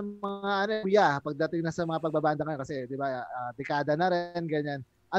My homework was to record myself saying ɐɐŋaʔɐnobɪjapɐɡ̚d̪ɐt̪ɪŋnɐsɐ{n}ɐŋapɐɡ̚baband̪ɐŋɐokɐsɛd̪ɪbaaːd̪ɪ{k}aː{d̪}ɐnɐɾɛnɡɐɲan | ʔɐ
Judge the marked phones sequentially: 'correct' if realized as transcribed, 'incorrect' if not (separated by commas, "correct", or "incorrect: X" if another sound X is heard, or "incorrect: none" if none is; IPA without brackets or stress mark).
incorrect: m, correct, correct